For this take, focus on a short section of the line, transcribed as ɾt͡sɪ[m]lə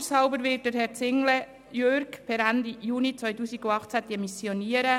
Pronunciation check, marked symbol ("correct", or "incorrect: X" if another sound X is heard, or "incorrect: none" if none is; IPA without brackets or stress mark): incorrect: ŋ